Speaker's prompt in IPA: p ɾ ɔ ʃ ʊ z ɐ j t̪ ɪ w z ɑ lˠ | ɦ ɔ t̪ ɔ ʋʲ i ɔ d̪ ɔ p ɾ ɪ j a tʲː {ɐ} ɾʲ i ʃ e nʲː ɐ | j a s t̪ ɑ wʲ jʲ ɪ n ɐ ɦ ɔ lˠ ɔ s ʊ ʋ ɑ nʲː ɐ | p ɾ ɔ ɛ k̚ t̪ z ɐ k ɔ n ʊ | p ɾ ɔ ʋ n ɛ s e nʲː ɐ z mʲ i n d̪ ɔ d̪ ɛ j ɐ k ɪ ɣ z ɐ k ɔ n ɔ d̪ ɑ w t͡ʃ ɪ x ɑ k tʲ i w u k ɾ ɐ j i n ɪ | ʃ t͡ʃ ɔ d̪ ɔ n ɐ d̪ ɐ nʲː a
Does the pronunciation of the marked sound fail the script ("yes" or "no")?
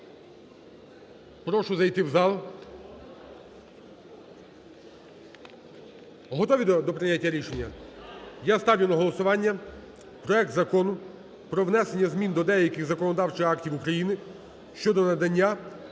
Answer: no